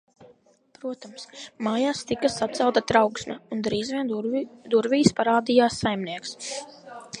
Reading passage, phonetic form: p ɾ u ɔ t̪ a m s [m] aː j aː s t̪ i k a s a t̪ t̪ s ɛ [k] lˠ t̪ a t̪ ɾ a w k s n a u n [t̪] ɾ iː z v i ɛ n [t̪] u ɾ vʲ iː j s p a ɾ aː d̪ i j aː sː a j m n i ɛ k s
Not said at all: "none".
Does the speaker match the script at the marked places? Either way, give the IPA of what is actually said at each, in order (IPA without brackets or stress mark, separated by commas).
m, none, d̪, d̪